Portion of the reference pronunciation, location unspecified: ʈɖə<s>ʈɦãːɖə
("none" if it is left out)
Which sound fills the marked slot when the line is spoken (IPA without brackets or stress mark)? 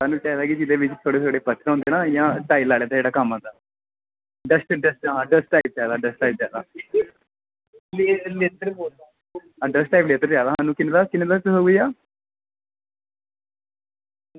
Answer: s